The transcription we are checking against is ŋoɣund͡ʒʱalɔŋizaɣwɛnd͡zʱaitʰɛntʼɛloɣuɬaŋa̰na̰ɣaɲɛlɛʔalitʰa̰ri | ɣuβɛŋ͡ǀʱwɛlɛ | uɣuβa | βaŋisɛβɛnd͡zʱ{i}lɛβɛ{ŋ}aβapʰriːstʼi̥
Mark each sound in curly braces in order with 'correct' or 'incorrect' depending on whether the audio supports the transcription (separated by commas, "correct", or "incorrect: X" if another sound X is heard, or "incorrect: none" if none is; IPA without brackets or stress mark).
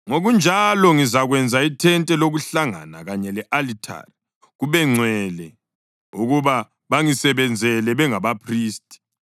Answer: incorrect: ɛ, correct